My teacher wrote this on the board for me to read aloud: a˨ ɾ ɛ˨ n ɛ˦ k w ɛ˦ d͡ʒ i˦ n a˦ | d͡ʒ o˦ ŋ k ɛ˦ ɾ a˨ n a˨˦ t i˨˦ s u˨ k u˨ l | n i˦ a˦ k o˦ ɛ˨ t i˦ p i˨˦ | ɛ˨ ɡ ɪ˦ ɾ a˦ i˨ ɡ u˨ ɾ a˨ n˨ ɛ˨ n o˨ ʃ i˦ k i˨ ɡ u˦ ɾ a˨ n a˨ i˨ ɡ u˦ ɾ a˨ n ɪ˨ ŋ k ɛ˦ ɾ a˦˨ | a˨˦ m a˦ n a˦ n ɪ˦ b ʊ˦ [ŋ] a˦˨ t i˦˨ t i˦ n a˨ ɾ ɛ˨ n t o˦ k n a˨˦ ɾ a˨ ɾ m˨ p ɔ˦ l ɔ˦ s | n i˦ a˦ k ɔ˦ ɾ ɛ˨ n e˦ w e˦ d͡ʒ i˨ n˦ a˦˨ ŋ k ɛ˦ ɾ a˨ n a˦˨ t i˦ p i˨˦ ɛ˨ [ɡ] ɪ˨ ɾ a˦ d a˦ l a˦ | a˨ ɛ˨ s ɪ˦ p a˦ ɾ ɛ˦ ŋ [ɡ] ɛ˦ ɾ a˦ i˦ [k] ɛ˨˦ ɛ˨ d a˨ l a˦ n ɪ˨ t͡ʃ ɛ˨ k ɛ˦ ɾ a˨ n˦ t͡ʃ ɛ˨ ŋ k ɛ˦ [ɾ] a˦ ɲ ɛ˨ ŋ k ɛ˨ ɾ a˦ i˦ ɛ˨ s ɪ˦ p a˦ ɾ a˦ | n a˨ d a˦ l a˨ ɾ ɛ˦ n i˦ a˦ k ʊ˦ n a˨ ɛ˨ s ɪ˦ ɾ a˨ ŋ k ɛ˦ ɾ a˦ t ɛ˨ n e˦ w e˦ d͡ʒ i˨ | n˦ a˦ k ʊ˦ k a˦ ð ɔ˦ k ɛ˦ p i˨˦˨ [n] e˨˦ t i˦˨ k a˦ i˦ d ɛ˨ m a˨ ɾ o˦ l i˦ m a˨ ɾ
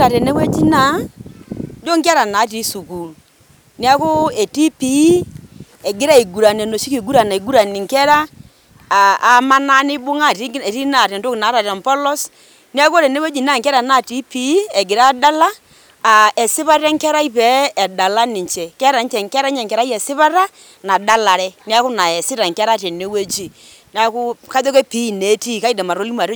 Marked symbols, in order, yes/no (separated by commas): yes, yes, no, no, yes, yes